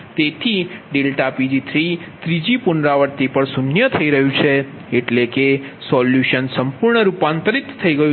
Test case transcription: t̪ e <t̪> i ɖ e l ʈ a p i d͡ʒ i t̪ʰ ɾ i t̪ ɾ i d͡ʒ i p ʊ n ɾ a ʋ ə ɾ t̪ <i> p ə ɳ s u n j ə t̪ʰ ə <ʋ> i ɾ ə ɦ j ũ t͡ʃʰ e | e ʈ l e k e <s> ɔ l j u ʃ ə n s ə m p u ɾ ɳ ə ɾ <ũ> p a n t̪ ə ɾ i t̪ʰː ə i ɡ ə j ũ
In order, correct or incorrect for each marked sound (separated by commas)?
incorrect, correct, incorrect, correct, incorrect